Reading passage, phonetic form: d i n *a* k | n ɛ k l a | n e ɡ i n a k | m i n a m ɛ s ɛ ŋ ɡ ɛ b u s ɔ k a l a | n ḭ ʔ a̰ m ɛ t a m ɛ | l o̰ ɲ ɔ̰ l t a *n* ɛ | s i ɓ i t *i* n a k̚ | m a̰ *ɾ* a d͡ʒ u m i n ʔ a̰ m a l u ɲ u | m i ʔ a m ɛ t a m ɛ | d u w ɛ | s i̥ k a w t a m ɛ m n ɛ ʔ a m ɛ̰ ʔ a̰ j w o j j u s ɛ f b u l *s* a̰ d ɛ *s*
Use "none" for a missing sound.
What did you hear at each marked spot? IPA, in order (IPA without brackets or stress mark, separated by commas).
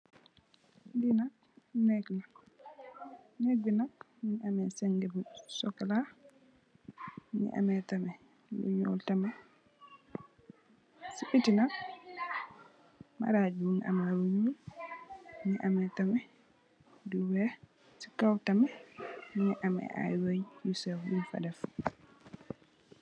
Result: a, m, i, ɾ, f, f